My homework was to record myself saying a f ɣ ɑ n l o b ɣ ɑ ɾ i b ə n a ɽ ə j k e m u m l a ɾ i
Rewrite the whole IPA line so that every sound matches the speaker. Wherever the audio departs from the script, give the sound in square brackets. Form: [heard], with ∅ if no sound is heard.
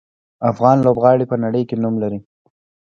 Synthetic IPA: a f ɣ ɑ n l o b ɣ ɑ [ɽ] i [p] ə n a ɽ ə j k e [n] u m l a ɾ i